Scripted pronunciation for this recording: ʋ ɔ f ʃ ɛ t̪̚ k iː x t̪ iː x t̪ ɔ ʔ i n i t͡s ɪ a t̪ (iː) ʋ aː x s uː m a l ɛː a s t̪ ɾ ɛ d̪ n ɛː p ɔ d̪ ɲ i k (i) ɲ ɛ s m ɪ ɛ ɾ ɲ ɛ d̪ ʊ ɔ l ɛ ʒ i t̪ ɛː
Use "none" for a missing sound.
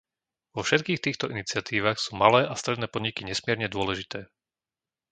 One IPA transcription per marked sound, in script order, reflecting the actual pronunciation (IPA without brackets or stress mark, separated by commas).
iː, i